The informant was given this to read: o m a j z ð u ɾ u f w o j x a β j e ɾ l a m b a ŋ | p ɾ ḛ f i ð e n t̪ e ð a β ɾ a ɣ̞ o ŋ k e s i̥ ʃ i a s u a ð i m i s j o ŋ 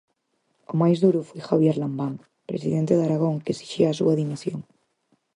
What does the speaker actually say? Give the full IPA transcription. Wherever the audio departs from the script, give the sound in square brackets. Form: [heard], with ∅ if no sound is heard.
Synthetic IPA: o m a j z ð u ɾ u f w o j x a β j e ɾ l a m b a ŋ | p ɾ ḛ [s] i ð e n t̪ e ð a [∅] ɾ a ɣ̞ o ŋ k e s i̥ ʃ i a s u a ð i m i s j o ŋ